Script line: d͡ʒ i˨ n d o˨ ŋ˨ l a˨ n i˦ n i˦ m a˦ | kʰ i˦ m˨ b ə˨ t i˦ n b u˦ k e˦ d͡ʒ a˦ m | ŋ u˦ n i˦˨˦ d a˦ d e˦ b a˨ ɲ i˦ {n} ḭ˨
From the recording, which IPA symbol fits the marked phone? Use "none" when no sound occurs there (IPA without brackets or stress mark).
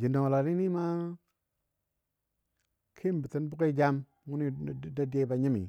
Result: m